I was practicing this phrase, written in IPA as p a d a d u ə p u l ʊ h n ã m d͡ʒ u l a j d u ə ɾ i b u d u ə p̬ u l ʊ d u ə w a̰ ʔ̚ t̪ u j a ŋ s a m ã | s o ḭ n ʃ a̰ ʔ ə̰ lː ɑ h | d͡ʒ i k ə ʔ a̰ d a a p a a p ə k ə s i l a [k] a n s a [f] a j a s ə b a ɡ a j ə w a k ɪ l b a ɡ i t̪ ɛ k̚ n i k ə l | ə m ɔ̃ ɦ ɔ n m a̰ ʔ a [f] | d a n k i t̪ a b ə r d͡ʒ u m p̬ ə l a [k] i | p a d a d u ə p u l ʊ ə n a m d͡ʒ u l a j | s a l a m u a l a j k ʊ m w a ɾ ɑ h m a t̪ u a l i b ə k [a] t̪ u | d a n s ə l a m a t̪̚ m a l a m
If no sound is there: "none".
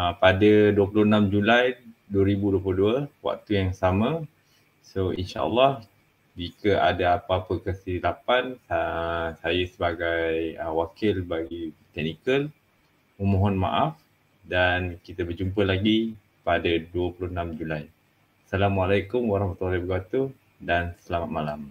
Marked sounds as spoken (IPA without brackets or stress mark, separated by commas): p, s, f, ɡ, a